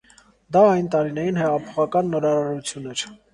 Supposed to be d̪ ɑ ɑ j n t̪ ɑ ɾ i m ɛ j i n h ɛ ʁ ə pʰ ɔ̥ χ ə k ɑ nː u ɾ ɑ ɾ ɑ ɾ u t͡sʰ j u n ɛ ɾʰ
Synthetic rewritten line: d̪ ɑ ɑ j n t̪ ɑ ɾ i n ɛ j i n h ɛ ʁ ɑ pʰ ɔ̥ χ ɑ k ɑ nː ɔ ɾ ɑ ɾ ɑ ɾ u t͡sʰ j u n ɛ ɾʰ